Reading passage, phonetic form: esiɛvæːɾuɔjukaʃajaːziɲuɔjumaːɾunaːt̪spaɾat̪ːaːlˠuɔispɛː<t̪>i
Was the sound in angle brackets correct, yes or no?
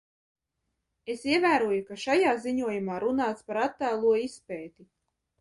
yes